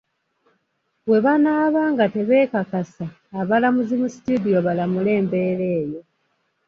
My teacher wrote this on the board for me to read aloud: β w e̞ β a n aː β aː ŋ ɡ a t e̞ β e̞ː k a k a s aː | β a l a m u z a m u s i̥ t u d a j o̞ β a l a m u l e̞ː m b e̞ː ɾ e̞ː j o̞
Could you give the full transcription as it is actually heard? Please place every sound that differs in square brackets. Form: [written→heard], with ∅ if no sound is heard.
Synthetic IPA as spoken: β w e̞ β a n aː β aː ŋ ɡ a t e̞ β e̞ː k a k a s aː | β a l a m u z [a→i] m u s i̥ t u d [a→i] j o̞ β a l a m u l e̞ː m b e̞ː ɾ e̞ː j o̞